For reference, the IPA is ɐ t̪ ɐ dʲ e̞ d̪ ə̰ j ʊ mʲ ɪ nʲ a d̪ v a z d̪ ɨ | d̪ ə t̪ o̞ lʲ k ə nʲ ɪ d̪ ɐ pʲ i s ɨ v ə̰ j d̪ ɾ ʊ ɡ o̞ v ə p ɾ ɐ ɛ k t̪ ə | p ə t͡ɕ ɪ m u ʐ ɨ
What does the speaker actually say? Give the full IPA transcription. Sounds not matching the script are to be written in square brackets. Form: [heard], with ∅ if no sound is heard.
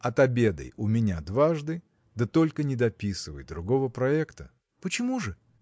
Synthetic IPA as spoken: ɐ t̪ ɐ [bʲ] e̞ d̪ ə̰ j ʊ mʲ ɪ nʲ a d̪ v a [ʐ] d̪ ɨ | d̪ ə t̪ o̞ lʲ k ə nʲ ɪ d̪ ɐ pʲ i s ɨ v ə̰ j d̪ ɾ ʊ ɡ o̞ v ə p ɾ ɐ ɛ k t̪ ə | p ə t͡ɕ ɪ m u ʐ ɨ